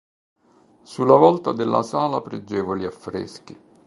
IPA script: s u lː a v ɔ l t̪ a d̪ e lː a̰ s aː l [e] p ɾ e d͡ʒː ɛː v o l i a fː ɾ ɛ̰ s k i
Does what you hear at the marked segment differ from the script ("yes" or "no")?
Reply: yes